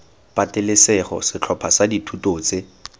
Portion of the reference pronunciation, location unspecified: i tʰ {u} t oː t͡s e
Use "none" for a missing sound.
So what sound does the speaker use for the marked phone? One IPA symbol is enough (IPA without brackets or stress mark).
u